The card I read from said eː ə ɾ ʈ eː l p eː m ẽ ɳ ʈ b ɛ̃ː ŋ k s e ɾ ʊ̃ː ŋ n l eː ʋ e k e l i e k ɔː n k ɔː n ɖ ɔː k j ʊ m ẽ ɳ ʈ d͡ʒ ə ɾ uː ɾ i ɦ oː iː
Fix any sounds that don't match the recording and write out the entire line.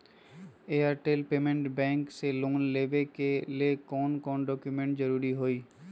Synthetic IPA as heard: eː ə ɾ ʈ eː l p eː m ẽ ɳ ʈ b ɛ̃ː ŋ k s e l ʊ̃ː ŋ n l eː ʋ e k e l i e k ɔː n k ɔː n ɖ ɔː k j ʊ m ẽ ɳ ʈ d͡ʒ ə ɾ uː ɾ i ɦ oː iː